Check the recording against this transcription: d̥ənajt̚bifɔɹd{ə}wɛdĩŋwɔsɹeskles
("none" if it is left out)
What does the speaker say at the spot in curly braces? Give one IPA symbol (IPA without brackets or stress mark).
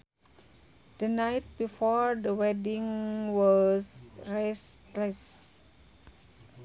ə